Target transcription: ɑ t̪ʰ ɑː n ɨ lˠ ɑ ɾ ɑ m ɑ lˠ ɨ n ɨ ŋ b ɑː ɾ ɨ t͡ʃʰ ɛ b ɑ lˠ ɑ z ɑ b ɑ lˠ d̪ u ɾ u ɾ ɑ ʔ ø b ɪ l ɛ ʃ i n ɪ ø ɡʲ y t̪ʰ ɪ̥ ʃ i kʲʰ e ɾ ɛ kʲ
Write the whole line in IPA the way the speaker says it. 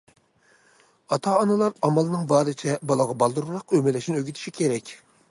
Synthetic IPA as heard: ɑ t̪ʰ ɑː n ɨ lˠ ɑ ɾ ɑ m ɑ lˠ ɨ n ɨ ŋ b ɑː ɾ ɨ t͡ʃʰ ɛ b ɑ lˠ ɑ ʁ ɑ b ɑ lˠ d̪ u ɾ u ɾ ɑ q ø m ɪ l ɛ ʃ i n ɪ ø ɡʲ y t̪ʰ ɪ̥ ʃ i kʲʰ e ɾ ɛ kʲ

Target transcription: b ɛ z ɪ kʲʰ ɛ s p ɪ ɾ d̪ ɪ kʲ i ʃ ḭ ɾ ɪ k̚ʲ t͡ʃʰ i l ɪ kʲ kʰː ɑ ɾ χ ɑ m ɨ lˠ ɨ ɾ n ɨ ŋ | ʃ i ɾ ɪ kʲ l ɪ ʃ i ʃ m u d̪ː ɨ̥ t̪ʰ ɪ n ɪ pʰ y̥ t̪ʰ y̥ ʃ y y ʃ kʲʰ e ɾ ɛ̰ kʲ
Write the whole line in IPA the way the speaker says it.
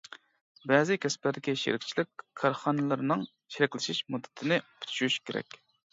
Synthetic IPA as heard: b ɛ z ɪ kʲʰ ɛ s p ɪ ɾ d̪ ɪ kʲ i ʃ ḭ ɾ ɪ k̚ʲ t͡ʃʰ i l ɪ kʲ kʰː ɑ ɾ χ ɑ n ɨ lˠ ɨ ɾ n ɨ ŋ | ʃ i ɾ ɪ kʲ l ɪ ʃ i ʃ m u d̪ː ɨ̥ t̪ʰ ɪ n ɪ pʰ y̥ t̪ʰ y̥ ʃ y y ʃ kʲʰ e ɾ ɛ̰ kʲ

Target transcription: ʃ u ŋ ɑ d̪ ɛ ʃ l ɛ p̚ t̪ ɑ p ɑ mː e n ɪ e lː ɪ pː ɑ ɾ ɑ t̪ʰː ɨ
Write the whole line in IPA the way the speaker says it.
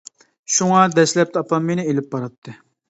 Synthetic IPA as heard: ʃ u ŋ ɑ d̪ ɛ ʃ l ɛ p̚ t̪ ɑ p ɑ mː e n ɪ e l ɪ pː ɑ ɾ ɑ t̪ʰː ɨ

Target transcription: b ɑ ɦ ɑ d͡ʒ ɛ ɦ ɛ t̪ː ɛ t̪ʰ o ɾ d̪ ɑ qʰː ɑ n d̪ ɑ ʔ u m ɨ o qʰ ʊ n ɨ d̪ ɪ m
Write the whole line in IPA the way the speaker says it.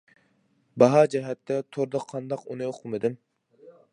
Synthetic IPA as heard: b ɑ ɦ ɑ d͡ʒ ɛ ɦ ɛ t̪ː ɛ t̪ʰ o ɾ d̪ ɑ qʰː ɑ n d̪ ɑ q u n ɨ o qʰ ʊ m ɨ d̪ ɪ m

